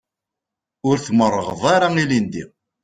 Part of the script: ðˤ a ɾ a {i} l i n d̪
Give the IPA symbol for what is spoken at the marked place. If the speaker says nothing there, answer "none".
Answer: i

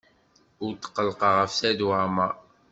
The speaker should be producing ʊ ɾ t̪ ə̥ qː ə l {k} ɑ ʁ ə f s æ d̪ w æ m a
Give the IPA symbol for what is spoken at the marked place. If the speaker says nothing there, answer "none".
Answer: q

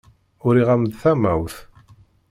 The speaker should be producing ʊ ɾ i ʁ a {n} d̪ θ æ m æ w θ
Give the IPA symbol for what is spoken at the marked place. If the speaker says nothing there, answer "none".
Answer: m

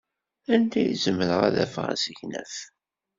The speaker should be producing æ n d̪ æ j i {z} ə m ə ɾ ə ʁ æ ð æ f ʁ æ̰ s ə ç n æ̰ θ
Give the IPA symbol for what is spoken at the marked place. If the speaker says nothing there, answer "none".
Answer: z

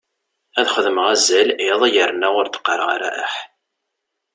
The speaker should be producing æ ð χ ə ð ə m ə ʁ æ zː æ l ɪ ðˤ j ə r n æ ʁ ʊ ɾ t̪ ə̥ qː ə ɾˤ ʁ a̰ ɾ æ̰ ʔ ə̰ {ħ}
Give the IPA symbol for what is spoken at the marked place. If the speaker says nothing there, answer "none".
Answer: ħ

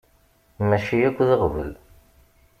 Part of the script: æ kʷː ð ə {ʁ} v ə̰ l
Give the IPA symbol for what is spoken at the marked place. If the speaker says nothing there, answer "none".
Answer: ʁ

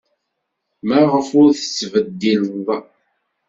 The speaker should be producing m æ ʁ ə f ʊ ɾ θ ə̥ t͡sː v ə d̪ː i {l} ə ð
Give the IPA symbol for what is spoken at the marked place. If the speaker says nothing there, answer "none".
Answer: l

